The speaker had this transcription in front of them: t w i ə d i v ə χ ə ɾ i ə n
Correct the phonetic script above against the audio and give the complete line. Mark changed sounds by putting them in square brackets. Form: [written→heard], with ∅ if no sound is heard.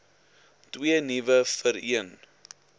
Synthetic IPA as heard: t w i ə [d→n] i v ə [χ→f] ə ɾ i ə n